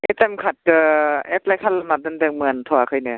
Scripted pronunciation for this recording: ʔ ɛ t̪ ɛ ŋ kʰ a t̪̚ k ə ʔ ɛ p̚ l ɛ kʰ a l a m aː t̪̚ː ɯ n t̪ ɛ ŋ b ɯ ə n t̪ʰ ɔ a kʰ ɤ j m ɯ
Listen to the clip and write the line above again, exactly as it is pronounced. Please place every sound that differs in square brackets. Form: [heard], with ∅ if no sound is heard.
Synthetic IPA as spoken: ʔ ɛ t̪ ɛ [m] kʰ a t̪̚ k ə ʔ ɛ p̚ l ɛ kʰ a l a m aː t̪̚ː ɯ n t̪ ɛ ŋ [m] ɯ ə n t̪ʰ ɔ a kʰ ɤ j [n] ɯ